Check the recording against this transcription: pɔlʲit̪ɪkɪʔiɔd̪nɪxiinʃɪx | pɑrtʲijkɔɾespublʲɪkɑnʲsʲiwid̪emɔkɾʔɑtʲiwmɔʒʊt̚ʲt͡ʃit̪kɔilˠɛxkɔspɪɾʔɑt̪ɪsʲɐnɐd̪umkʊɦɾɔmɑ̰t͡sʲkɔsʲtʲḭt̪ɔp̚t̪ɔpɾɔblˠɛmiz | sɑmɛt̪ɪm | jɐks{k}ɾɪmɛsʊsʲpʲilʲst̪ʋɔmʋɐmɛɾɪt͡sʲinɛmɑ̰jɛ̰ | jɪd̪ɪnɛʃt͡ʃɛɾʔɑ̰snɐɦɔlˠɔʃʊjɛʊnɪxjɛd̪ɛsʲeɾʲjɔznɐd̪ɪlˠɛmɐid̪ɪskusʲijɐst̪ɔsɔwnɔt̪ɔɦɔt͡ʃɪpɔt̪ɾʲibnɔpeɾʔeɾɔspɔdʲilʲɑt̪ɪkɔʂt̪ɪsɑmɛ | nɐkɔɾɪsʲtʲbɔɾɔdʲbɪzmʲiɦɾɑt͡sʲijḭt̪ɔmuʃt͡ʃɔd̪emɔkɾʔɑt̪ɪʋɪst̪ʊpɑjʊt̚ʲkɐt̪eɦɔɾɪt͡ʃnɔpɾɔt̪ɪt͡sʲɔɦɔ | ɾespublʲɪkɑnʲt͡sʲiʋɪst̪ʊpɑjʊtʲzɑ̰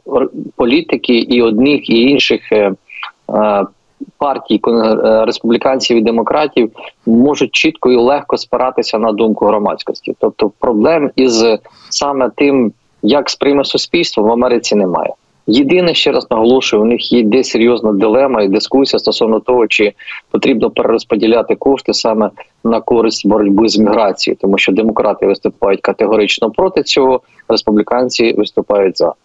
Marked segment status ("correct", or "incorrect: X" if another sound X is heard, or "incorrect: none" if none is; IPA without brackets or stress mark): incorrect: p